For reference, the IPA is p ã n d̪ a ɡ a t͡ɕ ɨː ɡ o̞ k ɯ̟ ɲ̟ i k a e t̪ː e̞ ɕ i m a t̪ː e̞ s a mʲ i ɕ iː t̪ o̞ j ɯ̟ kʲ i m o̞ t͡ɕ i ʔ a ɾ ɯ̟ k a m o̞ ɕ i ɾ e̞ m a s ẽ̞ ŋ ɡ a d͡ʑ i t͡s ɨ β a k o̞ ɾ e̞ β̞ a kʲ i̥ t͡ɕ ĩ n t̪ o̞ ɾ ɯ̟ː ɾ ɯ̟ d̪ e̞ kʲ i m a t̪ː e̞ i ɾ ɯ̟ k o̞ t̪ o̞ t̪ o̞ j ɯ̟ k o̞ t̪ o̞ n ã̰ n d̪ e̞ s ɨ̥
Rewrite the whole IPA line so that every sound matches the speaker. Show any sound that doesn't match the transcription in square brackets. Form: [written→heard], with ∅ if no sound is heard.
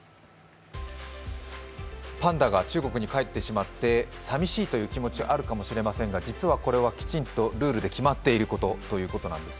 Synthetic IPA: p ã n d̪ a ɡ a t͡ɕ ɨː ɡ o̞ k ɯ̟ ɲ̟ i k a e t̪ː e̞ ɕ i m a t̪ː e̞ s a mʲ i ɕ iː t̪ o̞ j [ɯ̟→ɯ̟ː] kʲ i m o̞ t͡ɕ i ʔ a ɾ ɯ̟ k a m o̞ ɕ i ɾ e̞ m a s ẽ̞ ŋ ɡ a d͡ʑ i t͡s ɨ β a k o̞ ɾ e̞ β̞ a kʲ i̥ t͡ɕ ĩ n t̪ o̞ ɾ ɯ̟ː ɾ ɯ̟ d̪ e̞ kʲ i m a t̪ː e̞ i ɾ ɯ̟ k o̞ t̪ o̞ t̪ o̞ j [ɯ̟→ɯ̟ː] k o̞ t̪ o̞ n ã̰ n d̪ e̞ s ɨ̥